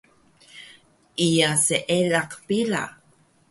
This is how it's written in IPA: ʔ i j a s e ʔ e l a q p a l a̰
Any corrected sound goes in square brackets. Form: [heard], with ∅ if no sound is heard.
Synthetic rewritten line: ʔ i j a s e ʔ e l a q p [i] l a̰